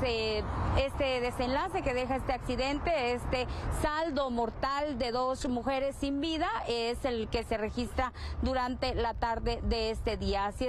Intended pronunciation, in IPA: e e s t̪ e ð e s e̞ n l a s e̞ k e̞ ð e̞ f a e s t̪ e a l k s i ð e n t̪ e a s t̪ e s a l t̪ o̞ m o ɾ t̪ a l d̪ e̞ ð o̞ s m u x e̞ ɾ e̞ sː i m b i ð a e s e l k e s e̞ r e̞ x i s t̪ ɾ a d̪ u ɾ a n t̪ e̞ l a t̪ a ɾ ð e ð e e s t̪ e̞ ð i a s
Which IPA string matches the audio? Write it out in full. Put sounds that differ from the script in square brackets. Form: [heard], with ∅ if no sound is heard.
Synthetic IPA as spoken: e e s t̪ e ð e s e̞ n l a s e̞ k e̞ ð e̞ [x] a e s t̪ e a [∅] k s i ð e n t̪ e [e] s t̪ e s a l [d̪] o̞ m o ɾ t̪ a l d̪ e̞ ð o̞ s m u x e̞ ɾ e̞ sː i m b i ð a e s e l k e s e̞ r e̞ x i s t̪ ɾ a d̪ u ɾ a n t̪ e̞ l a t̪ a ɾ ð e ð e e s t̪ e̞ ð i a s